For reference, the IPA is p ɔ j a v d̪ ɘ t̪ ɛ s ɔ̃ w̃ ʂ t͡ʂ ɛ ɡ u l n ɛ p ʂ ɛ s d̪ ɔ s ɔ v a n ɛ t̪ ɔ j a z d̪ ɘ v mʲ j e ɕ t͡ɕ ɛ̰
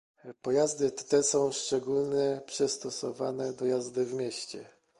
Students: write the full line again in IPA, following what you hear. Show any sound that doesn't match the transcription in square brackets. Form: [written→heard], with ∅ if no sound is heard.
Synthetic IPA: p ɔ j a [v→z] d̪ ɘ t̪ ɛ s ɔ̃ w̃ ʂ t͡ʂ ɛ ɡ u l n ɛ p ʂ ɛ s [d̪→t̪] ɔ s ɔ v a n ɛ [t̪→d̪] ɔ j a z d̪ ɘ v mʲ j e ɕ t͡ɕ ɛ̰